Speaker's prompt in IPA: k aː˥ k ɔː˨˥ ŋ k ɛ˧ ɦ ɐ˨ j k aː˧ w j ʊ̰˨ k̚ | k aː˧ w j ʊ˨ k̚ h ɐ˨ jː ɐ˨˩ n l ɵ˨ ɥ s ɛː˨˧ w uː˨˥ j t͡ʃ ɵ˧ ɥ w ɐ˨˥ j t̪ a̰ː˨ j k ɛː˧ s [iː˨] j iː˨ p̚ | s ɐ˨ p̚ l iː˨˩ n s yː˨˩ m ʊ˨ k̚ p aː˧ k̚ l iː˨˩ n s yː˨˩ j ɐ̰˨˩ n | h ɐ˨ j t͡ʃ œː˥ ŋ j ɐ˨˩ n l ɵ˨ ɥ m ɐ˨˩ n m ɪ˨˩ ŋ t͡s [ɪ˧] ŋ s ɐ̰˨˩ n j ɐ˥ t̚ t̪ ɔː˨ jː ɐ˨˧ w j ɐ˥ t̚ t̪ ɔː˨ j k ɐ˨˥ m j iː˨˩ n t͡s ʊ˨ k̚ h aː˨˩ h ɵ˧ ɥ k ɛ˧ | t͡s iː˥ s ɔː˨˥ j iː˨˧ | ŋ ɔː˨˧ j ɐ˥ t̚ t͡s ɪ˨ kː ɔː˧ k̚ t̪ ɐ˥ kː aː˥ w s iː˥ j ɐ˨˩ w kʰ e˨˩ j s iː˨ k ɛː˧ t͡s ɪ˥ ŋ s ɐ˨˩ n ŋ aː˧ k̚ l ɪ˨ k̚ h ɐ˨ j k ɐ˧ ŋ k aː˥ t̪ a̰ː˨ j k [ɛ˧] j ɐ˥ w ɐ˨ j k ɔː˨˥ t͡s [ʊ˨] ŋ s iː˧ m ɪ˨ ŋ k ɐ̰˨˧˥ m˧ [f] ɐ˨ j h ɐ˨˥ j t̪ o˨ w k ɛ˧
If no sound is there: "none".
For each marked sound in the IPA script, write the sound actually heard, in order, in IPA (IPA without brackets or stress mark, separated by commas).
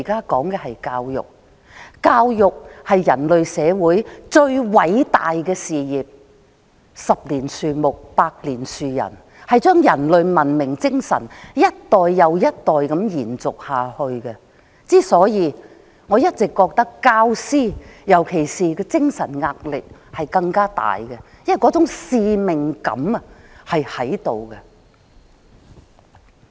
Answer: iː˨, ɪ˥, ɛ˧, ʊ˨˥, h